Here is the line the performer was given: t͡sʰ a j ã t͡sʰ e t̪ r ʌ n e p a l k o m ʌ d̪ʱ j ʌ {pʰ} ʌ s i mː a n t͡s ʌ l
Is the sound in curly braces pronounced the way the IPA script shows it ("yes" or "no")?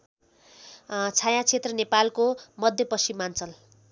no